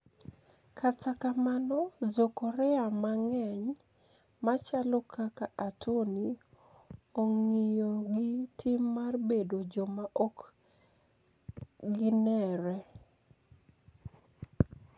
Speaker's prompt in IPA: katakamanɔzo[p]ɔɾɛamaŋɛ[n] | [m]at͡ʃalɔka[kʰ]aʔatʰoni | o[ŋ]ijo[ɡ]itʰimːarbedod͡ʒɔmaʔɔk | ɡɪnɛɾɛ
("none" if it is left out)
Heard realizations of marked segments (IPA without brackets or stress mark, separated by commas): k, ɲ, m, k, ŋ, ɡ